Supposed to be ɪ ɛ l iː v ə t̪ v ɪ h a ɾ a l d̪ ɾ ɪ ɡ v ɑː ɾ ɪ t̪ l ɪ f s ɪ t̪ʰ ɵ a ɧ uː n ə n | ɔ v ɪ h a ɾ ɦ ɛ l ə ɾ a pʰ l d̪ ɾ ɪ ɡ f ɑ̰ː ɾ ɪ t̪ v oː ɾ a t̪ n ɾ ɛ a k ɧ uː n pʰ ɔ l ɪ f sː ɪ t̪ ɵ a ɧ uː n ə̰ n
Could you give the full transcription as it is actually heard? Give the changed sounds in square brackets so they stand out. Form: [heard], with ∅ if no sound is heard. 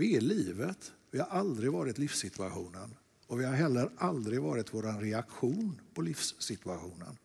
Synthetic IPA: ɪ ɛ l iː v ə t̪ v ɪ h a ɾ a l d̪ ɾ ɪ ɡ v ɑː ɾ ɪ t̪ l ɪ f s ɪ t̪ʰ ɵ a ɧ uː n ə n | ɔ v ɪ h a ɾ ɦ ɛ [lː] ə ɾ a [∅] l d̪ ɾ ɪ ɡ [v] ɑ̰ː ɾ ɪ t̪ v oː ɾ a [∅] n ɾ ɛ a k ɧ uː n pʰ ɔ l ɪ f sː ɪ t̪ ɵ a ɧ uː n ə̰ n